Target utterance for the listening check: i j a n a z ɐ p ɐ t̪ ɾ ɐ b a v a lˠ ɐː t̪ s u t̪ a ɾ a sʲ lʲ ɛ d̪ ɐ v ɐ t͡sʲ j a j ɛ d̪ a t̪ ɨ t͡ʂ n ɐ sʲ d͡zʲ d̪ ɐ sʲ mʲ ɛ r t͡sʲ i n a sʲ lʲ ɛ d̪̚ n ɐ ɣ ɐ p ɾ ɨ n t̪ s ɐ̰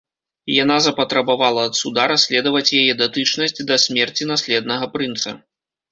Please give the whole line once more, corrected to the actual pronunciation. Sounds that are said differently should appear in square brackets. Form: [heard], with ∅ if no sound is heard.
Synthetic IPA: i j a n a z ɐ p ɐ t̪ ɾ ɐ b a v a lˠ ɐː t̪ s u [d̪] a ɾ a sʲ lʲ ɛ d̪ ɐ v ɐ t͡sʲ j a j ɛ d̪ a t̪ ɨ t͡ʂ n ɐ sʲ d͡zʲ d̪ ɐ sʲ mʲ ɛ r t͡sʲ i n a sʲ lʲ ɛ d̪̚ n ɐ ɣ ɐ p ɾ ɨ n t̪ s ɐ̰